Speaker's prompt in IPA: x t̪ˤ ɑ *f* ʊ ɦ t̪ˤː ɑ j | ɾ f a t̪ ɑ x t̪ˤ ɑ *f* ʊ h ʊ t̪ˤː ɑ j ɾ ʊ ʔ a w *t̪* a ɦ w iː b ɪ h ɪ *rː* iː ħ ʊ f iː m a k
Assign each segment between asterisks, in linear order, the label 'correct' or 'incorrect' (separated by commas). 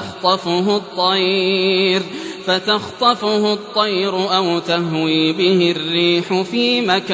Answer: correct, correct, correct, correct